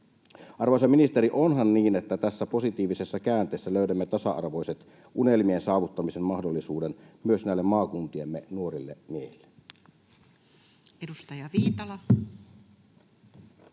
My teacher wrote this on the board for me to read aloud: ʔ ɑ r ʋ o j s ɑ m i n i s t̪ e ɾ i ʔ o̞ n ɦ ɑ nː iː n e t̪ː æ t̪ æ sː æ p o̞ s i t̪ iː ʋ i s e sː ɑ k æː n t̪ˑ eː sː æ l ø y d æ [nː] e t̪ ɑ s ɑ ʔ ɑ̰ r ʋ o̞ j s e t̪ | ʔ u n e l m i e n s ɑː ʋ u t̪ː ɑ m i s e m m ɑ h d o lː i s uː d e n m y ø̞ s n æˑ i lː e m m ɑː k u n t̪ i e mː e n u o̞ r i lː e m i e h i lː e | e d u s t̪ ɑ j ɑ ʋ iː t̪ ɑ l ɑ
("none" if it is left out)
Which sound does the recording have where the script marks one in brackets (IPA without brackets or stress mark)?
mː